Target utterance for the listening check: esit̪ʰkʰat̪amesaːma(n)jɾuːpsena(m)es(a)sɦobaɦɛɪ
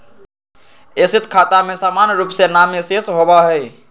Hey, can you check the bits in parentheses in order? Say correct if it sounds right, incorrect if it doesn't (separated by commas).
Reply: correct, correct, incorrect